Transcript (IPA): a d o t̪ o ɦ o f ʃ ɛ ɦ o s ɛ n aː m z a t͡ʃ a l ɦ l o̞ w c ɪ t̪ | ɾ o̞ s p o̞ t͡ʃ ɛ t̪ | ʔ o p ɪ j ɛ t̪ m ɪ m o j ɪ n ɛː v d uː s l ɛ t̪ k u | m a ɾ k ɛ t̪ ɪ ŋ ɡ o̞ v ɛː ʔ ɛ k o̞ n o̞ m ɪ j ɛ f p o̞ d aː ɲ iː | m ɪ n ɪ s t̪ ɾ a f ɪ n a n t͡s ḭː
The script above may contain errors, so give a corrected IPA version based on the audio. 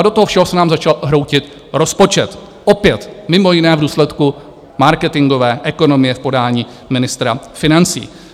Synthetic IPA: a d o t̪ o ɦ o f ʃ ɛ ɦ o s ɛ n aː m z a t͡ʃ a l ɦ ɾ o̞ w c ɪ t̪ | ɾ o̞ s p o̞ t͡ʃ ɛ t̪ | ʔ o p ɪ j ɛ t̪ m ɪ m o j ɪ n ɛː v d uː s l ɛ t̪ k u | m a ɾ k ɛ t̪ ɪ ŋ ɡ o̞ v ɛː ʔ ɛ k o̞ n o̞ m ɪ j ɛ f p o̞ d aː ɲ iː | m ɪ n ɪ s t̪ ɾ a f ɪ n a n t͡s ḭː